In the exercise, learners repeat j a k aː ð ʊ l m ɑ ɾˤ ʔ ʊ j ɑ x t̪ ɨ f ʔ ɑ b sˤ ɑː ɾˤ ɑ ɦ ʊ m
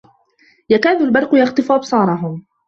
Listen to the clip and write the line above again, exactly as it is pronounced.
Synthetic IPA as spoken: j a k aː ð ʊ l b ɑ ɾˤ q ʊ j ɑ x t̪ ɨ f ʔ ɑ b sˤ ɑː ɾˤ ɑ ɦ ʊ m